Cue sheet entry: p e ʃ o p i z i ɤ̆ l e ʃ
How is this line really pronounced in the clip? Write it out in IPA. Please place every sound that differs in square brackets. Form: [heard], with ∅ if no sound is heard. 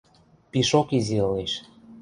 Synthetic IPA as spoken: p [i] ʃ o [k] i z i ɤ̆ l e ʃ